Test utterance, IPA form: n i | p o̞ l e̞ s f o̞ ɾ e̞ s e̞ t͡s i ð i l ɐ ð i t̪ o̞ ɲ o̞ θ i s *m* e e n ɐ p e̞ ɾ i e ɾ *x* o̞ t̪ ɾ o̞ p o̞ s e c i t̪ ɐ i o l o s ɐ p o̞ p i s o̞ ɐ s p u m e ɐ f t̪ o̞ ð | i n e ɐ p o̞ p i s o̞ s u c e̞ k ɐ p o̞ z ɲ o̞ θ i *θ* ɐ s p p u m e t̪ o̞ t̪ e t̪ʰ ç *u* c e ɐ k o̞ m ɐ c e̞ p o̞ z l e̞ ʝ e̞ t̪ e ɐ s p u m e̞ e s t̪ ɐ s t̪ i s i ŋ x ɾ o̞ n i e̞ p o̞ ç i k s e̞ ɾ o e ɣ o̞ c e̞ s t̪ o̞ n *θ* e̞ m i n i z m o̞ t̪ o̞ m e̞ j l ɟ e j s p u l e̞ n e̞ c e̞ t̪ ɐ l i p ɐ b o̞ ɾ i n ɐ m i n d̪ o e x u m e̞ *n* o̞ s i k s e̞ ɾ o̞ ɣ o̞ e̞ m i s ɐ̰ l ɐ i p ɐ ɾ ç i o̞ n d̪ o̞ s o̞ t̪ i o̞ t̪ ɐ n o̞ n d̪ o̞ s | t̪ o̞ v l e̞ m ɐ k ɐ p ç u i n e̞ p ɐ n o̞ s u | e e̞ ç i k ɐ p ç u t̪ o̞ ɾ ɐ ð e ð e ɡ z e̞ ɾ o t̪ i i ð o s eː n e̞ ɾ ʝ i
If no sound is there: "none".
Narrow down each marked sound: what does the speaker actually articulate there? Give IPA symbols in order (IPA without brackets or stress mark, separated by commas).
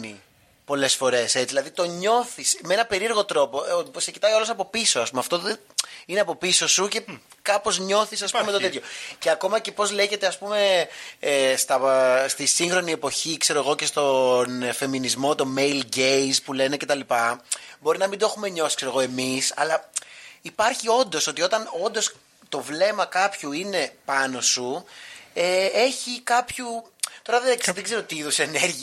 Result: m, ɣ, s, o, f, ɲ